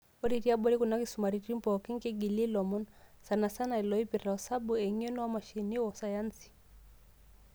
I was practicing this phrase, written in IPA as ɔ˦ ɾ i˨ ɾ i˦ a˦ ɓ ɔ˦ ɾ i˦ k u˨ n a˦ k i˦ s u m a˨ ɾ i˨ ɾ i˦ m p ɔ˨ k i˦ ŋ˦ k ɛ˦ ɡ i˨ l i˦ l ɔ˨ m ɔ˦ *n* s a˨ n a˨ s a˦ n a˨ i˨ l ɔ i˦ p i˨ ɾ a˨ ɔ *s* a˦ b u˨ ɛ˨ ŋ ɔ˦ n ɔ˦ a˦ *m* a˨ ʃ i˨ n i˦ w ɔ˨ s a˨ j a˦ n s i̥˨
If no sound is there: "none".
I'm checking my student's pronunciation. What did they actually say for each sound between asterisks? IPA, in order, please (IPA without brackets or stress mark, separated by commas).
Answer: n, s, m